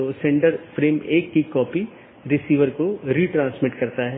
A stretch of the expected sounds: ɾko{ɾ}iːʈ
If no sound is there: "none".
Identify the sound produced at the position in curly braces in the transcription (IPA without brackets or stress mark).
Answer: ɾ